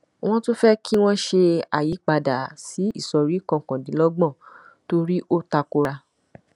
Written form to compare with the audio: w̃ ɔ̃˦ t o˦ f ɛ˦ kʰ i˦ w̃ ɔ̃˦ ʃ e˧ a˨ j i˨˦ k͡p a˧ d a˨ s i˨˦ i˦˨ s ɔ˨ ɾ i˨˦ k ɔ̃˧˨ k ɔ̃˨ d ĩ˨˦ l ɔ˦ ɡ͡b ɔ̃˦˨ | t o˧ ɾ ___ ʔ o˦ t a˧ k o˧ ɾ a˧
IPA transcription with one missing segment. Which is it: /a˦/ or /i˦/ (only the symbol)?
i˦